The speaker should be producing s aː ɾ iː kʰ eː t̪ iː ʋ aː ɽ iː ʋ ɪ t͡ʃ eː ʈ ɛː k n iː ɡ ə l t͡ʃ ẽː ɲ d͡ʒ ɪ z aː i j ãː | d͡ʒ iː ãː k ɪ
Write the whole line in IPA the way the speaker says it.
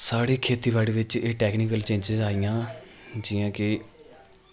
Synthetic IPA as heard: s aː ɽ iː kʰ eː t̪ iː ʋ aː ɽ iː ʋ ɪ t͡ʃ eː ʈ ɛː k n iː k ə l t͡ʃ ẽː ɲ d͡ʒ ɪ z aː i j ãː | d͡ʒ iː ãː k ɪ